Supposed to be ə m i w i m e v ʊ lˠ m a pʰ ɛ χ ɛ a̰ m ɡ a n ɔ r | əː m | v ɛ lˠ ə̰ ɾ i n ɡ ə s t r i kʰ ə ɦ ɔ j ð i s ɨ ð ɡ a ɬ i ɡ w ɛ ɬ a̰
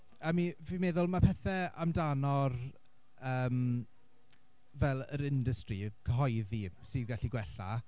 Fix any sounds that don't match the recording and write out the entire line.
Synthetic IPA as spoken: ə m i v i m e ð ʊ lˠ m a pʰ ɛ θ ɛ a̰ m d a n ɔ r | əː m | v ɛ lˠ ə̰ ɾ ɪ n d ə s t r i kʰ ə ɦ ɔ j ð i s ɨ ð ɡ a ɬ i ɡ w ɛ ɬ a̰